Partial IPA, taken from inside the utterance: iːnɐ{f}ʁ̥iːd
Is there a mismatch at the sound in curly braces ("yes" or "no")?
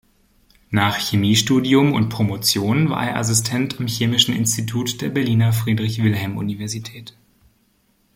no